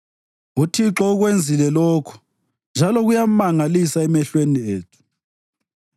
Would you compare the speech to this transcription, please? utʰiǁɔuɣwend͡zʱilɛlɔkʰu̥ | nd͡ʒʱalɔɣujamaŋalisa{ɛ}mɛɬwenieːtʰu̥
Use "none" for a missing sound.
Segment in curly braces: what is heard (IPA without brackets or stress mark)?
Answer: ɛ